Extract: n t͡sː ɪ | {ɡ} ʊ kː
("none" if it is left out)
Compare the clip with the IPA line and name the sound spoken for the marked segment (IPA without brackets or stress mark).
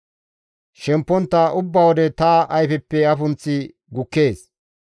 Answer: ɡ